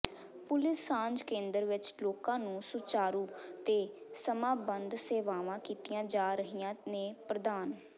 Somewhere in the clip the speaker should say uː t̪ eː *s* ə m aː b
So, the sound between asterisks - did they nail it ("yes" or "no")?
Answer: yes